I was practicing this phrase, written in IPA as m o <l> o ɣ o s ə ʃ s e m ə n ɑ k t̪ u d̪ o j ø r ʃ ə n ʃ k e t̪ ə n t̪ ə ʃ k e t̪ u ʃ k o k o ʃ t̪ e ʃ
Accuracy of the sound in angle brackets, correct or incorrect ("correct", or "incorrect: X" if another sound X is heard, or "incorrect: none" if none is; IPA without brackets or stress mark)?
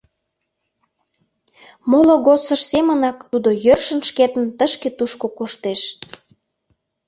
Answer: correct